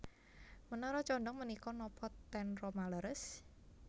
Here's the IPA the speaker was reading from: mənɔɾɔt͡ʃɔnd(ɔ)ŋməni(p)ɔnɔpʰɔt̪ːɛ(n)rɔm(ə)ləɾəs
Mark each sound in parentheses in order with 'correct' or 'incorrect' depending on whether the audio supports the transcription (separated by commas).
correct, incorrect, correct, incorrect